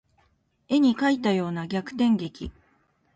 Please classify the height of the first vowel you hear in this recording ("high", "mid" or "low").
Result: mid